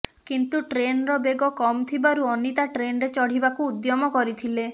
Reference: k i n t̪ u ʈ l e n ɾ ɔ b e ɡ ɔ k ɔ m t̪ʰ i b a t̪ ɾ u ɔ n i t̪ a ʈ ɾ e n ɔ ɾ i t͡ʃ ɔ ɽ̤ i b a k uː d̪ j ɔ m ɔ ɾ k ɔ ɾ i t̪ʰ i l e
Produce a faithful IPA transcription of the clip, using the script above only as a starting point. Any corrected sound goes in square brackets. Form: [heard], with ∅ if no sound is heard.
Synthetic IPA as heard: k i n t̪ u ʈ [ɾ] e n ɾ ɔ b e ɡ ɔ k ɔ m t̪ʰ i b a [∅] ɾ u ɔ n i t̪ a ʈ ɾ e n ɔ ɾ [e] t͡ʃ ɔ ɽ̤ i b a k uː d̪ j ɔ m ɔ [∅] k ɔ ɾ i t̪ʰ i l e